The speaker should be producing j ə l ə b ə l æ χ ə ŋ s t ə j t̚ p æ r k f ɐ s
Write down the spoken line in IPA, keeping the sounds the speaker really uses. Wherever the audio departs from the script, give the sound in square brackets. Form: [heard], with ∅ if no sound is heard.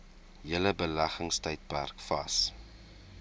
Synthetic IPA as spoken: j ə l ə b ə l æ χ ə ŋ s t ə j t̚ p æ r k f ɐ s

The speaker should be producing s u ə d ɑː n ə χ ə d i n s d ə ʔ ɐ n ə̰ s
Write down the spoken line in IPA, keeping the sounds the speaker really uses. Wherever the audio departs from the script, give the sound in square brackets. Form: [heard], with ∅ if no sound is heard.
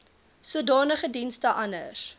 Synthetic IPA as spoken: s u ə d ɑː n ə χ ə d i n s [t] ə ʔ ɐ n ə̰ s

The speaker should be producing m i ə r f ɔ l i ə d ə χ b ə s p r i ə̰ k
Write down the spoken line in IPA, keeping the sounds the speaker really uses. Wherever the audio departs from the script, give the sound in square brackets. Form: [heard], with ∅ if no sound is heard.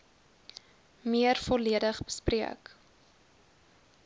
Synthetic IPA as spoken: m i ə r f ɔ l i ə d ə χ b ə s p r i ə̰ k

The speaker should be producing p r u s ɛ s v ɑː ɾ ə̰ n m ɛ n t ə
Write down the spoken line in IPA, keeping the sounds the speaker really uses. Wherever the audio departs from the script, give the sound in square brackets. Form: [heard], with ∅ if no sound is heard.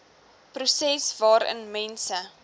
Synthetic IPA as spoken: p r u s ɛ s v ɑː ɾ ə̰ n m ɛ n [s] ə

